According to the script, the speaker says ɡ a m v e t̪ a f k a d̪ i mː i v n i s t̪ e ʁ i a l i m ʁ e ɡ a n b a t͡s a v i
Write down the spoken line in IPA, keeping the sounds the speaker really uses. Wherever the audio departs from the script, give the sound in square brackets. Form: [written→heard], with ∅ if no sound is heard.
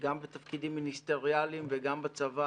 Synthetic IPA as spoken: ɡ a m [v→b] e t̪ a f k [a→i] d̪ i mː i [v→∅] n i s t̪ e ʁ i a l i m [ʁ→v] e ɡ a [n→m] b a t͡s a v [i→a]